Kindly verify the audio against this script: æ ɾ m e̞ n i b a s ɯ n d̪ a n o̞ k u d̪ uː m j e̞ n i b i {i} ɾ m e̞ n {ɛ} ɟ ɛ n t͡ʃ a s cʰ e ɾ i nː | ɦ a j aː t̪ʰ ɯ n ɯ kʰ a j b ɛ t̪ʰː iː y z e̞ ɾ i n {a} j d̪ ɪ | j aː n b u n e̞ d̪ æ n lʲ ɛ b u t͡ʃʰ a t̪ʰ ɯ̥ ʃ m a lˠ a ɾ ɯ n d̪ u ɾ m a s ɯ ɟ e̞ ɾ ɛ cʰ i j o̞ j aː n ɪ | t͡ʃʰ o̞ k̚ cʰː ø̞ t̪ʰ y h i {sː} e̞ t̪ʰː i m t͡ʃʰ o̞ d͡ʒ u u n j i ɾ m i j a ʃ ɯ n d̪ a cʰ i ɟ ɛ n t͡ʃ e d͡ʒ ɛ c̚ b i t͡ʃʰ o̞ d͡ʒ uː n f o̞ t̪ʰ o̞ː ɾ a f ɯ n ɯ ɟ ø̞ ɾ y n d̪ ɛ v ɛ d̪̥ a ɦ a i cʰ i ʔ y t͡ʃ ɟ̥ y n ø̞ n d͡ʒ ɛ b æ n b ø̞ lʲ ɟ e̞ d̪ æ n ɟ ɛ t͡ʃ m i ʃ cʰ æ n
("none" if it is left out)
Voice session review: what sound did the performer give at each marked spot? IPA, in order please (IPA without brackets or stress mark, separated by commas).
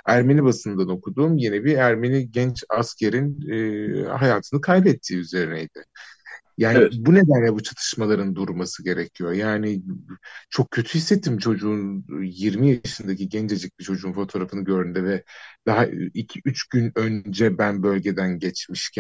æ, i, ɛ, sː